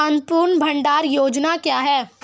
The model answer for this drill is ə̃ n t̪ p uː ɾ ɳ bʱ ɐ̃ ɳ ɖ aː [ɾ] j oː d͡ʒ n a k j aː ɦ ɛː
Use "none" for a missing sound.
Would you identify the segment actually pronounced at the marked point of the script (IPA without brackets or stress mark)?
ɾ